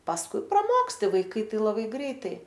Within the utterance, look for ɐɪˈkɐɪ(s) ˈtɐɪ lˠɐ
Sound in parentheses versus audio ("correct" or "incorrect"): incorrect